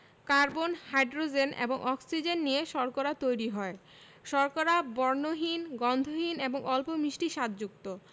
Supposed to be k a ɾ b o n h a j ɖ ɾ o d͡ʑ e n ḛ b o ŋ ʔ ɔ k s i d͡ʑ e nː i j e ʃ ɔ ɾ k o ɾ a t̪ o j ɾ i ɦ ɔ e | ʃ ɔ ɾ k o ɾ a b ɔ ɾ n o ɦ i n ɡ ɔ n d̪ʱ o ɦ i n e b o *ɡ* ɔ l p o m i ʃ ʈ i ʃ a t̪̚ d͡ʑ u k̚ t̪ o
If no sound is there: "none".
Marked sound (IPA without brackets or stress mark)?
ŋ